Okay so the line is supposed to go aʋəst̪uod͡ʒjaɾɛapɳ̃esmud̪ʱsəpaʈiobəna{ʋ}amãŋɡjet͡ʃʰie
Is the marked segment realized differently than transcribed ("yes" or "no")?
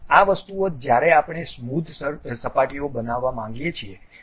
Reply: yes